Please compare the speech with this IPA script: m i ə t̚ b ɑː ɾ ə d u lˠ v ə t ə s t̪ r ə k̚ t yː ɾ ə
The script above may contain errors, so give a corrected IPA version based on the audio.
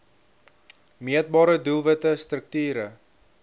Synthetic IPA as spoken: m i ə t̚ b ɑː ɾ ə d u lˠ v ə t ə s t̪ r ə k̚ t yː ɾ ə